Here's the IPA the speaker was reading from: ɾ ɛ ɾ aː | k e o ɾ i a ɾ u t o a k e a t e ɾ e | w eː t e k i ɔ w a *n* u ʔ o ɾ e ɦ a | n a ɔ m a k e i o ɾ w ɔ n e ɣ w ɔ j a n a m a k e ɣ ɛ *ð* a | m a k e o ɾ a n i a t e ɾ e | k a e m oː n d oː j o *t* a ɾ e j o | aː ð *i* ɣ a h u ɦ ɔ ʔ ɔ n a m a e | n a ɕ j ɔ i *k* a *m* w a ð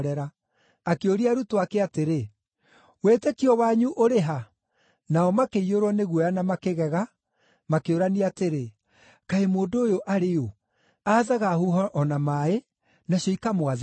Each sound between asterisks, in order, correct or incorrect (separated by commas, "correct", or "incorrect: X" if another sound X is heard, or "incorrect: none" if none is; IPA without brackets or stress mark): incorrect: ɲ, incorrect: ɣ, incorrect: ʔ, incorrect: a, correct, correct